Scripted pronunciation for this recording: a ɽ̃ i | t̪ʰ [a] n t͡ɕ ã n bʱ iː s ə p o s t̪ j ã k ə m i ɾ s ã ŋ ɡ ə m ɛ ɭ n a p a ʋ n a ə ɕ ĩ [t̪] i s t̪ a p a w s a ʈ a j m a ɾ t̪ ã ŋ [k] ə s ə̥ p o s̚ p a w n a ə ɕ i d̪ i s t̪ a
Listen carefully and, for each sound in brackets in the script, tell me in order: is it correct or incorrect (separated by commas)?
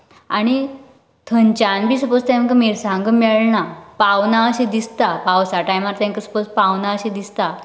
incorrect, incorrect, correct